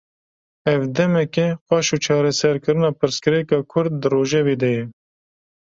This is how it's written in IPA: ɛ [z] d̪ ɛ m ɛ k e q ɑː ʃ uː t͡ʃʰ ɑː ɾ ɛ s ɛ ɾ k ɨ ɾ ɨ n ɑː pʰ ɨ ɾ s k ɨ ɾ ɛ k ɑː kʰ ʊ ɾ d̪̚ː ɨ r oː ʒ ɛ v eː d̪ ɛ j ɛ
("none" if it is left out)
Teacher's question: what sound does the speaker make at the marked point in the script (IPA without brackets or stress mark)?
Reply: v